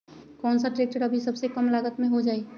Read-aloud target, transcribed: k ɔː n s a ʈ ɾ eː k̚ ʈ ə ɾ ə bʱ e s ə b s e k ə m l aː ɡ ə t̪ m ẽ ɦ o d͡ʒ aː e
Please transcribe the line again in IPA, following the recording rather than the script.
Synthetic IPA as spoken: k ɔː n s a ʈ ɾ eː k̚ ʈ ə ɾ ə bʱ i s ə b s e k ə m l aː ɡ ə t̪ m ẽ ɦ o d͡ʒ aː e